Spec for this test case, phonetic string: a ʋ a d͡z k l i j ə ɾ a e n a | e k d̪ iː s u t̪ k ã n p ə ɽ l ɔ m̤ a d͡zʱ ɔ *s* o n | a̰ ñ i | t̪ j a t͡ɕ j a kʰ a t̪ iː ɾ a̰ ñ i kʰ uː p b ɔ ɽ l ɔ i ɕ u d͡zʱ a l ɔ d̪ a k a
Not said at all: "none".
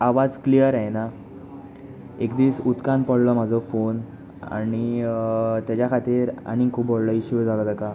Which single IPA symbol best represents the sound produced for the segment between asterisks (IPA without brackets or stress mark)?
f